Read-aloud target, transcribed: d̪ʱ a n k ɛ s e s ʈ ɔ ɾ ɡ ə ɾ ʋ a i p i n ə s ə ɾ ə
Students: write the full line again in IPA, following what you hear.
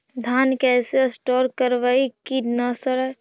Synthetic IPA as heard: d̪ʱ a n k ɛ s e s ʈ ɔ ɾ k ə ɾ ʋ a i k i n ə s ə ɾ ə